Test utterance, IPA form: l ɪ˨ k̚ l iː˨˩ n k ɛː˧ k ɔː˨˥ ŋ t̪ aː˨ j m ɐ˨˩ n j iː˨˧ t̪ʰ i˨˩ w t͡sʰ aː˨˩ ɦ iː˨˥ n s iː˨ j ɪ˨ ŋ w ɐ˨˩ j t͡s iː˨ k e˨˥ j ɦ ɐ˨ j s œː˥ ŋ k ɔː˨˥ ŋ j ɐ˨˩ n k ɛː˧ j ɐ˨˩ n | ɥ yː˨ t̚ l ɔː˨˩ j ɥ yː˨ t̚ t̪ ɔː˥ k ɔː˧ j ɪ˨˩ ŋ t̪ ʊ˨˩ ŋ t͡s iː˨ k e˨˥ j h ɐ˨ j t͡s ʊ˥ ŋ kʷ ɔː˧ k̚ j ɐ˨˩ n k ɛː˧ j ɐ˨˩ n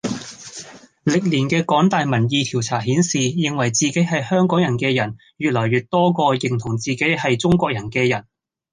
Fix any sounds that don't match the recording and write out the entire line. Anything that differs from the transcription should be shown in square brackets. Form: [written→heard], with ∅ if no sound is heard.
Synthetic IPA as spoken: l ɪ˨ k̚ l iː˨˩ n k ɛː˧ k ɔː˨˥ ŋ t̪ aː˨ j m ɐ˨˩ n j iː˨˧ t̪ʰ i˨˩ w t͡sʰ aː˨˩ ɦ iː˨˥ n s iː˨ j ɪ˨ ŋ w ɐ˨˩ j t͡s iː˨ k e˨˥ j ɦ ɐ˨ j [s→h] œː˥ ŋ k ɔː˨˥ ŋ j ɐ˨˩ n k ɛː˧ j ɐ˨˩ n | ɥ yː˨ t̚ l ɔː˨˩ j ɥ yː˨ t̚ t̪ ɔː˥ k ɔː˧ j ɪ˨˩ ŋ [t̪→t̪ʰ] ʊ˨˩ ŋ t͡s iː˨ k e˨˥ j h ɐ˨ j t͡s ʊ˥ ŋ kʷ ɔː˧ k̚ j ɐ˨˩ n k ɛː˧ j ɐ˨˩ n